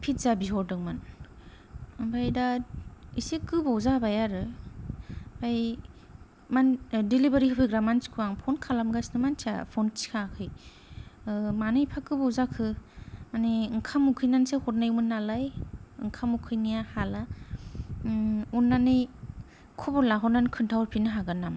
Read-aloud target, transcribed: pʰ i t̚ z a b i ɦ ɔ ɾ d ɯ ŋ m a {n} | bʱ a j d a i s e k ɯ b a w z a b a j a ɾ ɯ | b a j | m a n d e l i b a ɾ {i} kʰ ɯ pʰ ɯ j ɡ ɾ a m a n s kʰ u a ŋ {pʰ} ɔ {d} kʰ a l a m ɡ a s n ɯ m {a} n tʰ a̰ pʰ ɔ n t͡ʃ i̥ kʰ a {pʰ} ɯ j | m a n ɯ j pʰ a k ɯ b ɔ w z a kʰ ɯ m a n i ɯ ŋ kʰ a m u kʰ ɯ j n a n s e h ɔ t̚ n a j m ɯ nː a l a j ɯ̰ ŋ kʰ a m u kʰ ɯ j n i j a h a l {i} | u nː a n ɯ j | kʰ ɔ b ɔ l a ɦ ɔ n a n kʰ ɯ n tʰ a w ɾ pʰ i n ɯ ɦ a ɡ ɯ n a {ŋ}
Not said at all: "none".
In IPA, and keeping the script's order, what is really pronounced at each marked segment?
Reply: n, i, pʰ, n, a, kʰ, a, m

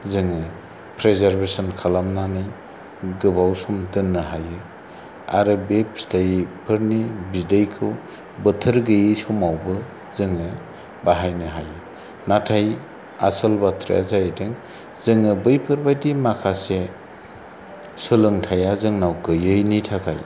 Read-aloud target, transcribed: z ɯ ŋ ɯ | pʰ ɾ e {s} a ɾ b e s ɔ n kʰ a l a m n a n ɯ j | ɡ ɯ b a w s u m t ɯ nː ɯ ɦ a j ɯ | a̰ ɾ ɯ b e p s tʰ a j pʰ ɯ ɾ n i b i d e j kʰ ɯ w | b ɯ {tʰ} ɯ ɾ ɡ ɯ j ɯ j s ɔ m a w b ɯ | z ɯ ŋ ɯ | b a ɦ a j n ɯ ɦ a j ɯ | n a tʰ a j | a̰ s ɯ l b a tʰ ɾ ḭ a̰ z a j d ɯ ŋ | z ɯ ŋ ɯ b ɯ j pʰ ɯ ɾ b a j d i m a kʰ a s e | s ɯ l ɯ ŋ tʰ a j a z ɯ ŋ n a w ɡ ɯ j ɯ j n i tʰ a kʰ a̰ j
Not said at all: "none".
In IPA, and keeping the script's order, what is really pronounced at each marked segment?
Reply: z, tʰ

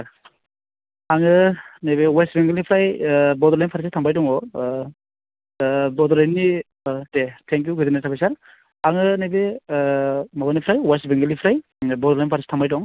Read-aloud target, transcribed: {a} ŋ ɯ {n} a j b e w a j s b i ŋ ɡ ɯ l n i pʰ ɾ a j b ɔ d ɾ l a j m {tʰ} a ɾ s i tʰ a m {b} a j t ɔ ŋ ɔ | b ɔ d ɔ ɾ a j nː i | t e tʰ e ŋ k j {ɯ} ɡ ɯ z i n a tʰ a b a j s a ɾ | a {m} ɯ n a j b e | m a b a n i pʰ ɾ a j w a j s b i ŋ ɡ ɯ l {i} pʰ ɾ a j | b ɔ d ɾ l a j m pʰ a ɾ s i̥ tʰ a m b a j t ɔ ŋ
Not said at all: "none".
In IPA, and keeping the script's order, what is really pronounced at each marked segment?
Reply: a, n, pʰ, b, u, ŋ, i

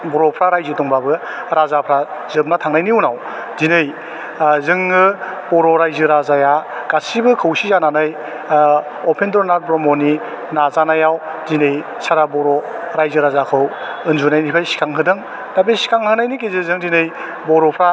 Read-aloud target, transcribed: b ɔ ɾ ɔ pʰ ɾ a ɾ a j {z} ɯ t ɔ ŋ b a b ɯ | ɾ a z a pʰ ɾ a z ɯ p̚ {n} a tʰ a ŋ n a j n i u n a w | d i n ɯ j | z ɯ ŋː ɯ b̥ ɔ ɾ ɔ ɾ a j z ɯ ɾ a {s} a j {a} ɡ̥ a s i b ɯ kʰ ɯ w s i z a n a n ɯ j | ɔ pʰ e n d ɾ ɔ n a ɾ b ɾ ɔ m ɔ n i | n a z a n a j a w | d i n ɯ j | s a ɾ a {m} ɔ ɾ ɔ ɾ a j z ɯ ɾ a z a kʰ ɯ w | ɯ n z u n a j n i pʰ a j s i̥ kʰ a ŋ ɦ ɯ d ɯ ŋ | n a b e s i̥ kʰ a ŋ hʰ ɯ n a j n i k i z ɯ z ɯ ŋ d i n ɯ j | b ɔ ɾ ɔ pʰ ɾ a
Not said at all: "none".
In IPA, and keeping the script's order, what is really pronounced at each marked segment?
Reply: z, n, z, a, b

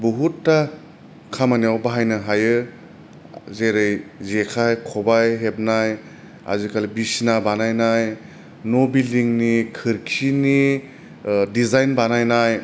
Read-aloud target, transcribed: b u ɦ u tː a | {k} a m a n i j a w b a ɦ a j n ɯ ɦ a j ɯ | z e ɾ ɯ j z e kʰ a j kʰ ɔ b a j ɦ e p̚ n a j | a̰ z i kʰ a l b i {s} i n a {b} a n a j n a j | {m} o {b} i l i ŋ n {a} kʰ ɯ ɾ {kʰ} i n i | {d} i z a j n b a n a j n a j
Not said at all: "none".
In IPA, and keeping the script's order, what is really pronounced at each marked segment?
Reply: kʰ, s, b, n, b, i, kʰ, d

